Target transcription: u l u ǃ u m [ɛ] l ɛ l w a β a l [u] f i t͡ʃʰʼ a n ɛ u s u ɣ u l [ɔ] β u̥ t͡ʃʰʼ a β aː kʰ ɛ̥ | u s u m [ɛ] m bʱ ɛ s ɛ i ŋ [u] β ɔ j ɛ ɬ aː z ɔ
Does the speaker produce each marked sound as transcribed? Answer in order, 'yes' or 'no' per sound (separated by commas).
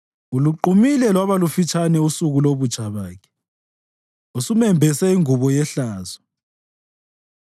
no, yes, no, yes, yes